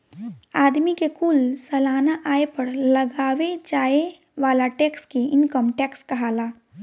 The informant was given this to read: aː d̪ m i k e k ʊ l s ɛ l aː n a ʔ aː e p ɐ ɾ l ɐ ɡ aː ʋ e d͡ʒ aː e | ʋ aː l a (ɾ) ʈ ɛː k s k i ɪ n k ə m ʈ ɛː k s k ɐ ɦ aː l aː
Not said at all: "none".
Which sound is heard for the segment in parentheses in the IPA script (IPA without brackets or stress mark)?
none